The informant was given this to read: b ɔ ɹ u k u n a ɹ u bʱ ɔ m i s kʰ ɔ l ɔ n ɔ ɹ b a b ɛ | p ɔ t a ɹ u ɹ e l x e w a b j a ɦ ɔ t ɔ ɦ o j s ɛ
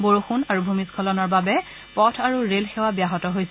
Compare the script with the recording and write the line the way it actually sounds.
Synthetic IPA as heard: b o ɹ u x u n a ɹ u bʱ u m i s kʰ ɔ l ɔ n ɔ ɹ b a b ɛ | p ɔ tʰ a ɹ u ɹ e l x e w a b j a ɦ ɔ t ɔ ɦ o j s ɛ